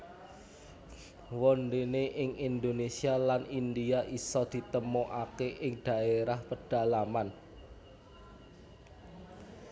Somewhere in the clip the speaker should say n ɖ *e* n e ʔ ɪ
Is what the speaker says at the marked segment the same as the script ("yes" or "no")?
yes